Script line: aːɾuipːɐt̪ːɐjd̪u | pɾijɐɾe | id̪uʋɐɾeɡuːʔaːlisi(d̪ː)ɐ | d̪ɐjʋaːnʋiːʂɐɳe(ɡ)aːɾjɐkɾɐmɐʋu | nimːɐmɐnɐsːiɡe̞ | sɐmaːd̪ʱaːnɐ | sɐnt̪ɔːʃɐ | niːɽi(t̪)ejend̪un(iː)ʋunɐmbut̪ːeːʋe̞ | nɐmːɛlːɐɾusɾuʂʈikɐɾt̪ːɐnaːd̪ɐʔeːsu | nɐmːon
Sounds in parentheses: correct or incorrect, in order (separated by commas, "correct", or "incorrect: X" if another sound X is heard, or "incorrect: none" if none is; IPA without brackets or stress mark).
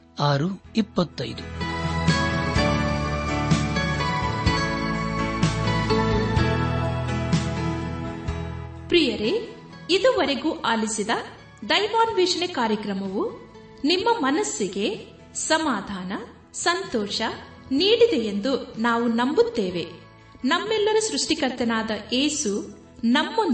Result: incorrect: d̪, incorrect: k, incorrect: d̪, incorrect: aː